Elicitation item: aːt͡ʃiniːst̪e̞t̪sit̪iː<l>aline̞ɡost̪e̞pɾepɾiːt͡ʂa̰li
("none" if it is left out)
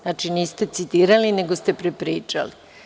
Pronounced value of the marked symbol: ɾ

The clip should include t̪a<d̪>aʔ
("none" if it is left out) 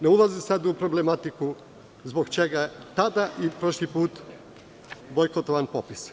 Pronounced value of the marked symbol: d̪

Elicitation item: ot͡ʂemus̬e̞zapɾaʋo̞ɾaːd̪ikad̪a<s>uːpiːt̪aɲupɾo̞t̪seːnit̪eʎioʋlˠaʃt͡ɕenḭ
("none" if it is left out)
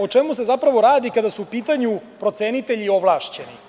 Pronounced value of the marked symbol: s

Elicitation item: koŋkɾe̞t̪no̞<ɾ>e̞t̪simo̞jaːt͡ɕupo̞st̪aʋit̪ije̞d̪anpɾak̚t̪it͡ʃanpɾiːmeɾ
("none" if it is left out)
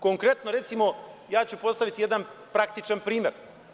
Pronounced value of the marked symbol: ɾ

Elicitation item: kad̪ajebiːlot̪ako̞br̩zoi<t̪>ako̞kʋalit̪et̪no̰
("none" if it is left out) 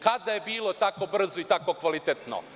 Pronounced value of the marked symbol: t̪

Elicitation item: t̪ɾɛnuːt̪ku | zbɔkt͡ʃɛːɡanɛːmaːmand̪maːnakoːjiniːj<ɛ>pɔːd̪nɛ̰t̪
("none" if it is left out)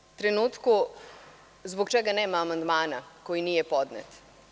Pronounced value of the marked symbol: ɛ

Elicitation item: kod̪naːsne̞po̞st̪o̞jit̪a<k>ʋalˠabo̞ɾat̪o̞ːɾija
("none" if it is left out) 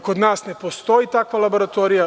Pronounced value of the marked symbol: k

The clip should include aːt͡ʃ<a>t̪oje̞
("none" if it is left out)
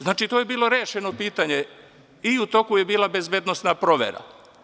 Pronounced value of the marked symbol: i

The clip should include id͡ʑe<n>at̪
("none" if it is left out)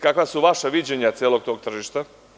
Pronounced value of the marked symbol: ɲ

